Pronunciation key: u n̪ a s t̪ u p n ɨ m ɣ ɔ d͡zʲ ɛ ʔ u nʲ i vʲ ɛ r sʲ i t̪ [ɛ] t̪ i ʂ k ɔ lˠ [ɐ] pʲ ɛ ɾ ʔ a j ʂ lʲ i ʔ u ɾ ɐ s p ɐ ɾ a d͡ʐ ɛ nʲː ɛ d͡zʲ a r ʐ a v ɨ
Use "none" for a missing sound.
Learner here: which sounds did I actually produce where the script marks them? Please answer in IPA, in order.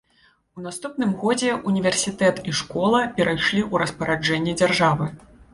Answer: ɛ, ɐ

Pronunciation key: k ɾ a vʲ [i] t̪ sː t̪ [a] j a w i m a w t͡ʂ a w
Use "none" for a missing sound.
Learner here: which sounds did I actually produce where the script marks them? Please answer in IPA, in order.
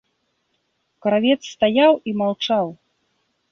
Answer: ɛ, a

